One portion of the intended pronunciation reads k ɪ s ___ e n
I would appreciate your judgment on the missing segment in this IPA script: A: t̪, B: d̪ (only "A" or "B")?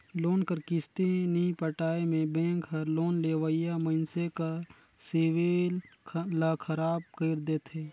A